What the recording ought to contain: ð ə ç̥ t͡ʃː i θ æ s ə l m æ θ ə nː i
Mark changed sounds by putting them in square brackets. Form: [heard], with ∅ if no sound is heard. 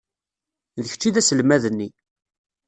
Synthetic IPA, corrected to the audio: ð ə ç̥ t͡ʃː i [ð] æ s ə l m æ [ð] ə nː i